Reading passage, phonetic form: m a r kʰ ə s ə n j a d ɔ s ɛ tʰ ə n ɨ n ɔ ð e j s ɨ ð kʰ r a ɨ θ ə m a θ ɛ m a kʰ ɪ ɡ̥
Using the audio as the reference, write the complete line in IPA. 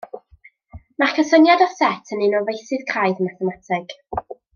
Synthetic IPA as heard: m a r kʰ ə s ə n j a d ɔ s ɛ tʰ ə n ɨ n ɔ v e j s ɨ ð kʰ r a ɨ ð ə m a θ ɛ m a tʰ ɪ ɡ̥